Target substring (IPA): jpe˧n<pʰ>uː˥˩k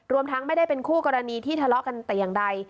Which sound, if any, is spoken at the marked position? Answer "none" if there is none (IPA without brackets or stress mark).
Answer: kʰ